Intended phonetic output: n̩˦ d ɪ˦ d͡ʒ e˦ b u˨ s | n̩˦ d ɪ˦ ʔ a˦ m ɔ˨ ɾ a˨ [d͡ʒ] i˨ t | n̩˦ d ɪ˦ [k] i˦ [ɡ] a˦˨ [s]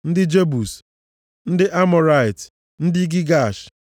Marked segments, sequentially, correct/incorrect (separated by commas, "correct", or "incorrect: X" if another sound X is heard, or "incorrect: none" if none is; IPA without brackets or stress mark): incorrect: none, incorrect: ɡ, correct, incorrect: ʃ